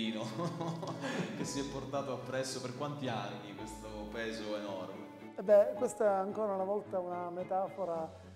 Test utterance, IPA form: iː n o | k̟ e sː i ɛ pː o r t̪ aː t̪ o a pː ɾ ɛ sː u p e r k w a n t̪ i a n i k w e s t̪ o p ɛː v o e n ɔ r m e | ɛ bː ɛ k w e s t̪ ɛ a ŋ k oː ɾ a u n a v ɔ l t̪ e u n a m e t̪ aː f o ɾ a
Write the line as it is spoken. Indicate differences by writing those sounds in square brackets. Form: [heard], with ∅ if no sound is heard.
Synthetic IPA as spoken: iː n o | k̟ e sː i ɛ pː o r t̪ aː t̪ o a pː ɾ ɛ sː [o] p e r k w a n t̪ i a [nː] i k w e s t̪ o p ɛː [z] o e n ɔ r m e | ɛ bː ɛ k w e s t̪ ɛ a ŋ k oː ɾ a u n a v ɔ l t̪ [a] u n a m e t̪ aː f o ɾ a